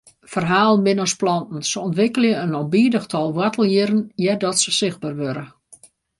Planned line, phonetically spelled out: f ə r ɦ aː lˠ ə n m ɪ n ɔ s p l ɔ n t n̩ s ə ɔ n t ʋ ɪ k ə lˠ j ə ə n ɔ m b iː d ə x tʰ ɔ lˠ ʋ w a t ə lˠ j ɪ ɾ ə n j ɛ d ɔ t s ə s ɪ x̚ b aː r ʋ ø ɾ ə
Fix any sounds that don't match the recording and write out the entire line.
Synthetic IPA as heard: f ə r ɦ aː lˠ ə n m ɪ n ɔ s p l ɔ n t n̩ s ə ɔ n t ʋ ɪ k ə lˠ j ə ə n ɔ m b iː d ə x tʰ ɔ lˠ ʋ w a t ə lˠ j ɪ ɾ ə n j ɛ d ɔ t s ə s ɪ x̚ b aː r ʋ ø ɾ ə